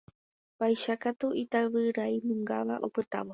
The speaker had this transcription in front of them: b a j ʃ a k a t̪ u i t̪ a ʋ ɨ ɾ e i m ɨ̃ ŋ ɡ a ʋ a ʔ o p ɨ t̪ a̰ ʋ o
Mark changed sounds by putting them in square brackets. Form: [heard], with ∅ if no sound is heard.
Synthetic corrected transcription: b a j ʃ a k a t̪ u i t̪ a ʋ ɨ ɾ [a] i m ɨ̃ ŋ ɡ a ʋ a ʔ o p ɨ t̪ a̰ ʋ o

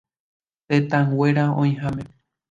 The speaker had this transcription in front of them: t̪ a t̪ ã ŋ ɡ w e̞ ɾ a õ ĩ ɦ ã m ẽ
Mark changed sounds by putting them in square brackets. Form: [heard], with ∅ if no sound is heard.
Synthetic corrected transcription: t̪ [e] t̪ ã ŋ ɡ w e̞ ɾ a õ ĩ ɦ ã m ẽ

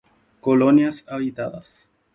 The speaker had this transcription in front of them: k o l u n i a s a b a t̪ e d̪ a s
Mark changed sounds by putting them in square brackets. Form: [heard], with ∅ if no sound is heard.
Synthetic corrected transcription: k o l [o] n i a s a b [i] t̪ [a] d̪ a s

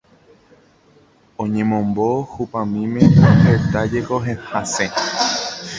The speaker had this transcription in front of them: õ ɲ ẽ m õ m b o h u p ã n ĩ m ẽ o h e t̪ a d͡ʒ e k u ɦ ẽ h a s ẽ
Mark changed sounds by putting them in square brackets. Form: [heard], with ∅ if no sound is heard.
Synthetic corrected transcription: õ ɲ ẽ m õ m b o h u p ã [m] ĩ m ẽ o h e t̪ a d͡ʒ e k [o] ɦ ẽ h a s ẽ

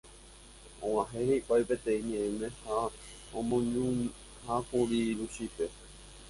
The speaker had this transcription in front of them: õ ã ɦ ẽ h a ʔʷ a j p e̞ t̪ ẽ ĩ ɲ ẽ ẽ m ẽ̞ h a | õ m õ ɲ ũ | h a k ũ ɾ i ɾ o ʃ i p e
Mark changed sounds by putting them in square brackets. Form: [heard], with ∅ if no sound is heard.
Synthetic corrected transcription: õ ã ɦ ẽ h [e] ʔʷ a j p e̞ t̪ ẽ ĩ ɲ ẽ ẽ m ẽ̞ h a | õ m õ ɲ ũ | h a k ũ ɾ i ɾ [u] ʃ i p e

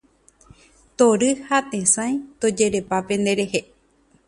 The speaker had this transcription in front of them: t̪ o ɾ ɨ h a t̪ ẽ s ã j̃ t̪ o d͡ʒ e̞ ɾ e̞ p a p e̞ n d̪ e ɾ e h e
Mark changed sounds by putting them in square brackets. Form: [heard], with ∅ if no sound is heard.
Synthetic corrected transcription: t̪ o ɾ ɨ h a t̪ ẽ s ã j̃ t̪ o d͡ʒ e̞ ɾ e̞ p a p e̞ n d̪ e ɾ e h e

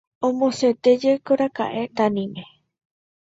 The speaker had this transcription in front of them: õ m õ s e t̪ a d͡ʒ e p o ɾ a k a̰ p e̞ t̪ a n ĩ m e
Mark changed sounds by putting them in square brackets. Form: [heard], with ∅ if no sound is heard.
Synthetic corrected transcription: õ m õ s e t̪ [e] d͡ʒ e [k] o ɾ a k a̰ [ʔ] e̞ t̪ a n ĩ m e

